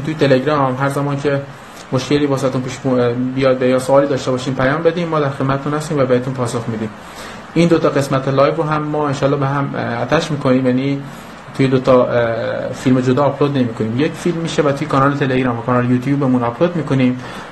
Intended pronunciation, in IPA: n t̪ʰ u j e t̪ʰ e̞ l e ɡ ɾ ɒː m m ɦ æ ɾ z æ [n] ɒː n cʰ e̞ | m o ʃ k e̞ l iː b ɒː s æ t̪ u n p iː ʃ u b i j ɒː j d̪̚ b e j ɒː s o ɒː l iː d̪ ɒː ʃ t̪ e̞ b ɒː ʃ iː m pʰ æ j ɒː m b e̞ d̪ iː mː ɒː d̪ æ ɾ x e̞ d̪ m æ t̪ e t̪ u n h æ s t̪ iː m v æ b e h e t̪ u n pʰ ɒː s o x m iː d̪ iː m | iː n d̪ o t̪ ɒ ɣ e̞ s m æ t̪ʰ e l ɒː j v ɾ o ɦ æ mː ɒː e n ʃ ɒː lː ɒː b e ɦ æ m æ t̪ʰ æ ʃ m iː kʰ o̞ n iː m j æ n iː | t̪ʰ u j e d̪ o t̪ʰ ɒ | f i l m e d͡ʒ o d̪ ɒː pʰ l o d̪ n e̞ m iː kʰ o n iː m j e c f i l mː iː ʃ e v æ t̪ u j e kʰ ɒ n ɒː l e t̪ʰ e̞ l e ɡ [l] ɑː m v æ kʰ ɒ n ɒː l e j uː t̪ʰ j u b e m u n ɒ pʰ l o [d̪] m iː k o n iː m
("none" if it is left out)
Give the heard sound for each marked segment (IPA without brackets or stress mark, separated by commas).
m, ɾ, d̪